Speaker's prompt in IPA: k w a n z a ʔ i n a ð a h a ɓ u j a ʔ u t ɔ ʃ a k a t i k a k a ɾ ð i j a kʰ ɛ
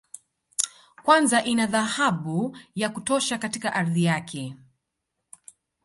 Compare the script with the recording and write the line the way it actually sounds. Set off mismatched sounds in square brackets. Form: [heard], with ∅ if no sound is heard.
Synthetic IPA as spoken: k w a n z a ʔ i n a ð a h a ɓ u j a [k] u t ɔ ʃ a k a t i k a [ʔ] a ɾ ð i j a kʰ ɛ